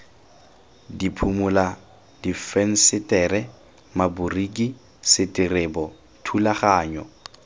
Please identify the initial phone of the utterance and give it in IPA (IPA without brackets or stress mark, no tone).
d